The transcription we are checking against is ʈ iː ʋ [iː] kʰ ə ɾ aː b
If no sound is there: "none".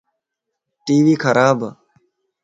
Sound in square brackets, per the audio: iː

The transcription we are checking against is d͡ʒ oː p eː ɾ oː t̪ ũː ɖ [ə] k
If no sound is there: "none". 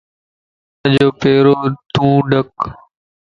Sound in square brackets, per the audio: ə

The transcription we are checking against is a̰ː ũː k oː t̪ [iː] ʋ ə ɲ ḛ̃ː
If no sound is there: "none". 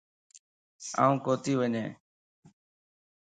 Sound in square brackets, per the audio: iː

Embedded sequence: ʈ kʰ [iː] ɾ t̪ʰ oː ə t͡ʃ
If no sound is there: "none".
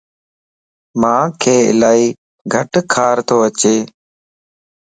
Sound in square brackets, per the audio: aː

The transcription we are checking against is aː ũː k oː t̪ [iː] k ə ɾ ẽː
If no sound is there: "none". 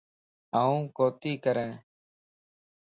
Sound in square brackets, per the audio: iː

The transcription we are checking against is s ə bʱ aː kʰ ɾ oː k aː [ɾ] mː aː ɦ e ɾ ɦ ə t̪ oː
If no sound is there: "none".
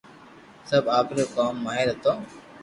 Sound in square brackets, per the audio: none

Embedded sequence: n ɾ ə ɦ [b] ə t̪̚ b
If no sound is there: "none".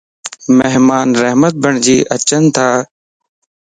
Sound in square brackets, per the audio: m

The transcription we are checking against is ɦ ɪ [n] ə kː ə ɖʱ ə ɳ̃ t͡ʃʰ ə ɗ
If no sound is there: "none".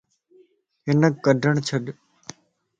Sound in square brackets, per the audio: n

